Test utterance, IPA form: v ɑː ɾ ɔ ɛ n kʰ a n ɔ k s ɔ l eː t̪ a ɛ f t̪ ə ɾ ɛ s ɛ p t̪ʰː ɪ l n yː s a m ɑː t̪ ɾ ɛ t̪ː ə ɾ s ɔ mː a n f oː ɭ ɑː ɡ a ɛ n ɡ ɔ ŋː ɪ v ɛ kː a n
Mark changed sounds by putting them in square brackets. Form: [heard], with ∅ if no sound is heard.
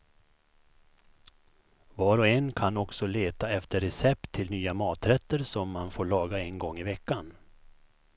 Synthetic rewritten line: v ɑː ɾ ɔ ɛ n kʰ a n ɔ k s ɔ l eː t̪ a ɛ f t̪ ə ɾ ɛ s ɛ p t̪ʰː ɪ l n yː [∅] a m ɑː t̪ ɾ ɛ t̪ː ə ɾ s ɔ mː a n f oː ɭ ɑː ɡ a ɛ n ɡ ɔ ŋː ɪ v ɛ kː a n